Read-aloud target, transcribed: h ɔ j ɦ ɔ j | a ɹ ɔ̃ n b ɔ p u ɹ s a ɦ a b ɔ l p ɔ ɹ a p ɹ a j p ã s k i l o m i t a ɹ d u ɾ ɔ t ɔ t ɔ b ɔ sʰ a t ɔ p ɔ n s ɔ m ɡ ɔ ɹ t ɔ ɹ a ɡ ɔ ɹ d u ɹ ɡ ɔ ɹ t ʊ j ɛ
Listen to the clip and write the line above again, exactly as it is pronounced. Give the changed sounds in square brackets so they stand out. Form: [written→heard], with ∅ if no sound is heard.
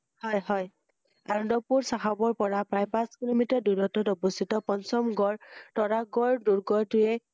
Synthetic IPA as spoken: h ɔ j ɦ ɔ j | a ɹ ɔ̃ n [b→d] ɔ p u ɹ s a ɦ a b ɔ [l→ɹ] p ɔ ɹ a p ɹ a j p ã s k i l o m i t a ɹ d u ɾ ɔ t ɔ t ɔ b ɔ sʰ [a→i] t ɔ p ɔ n s ɔ m ɡ ɔ ɹ t ɔ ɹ a ɡ ɔ ɹ d u ɹ ɡ ɔ ɹ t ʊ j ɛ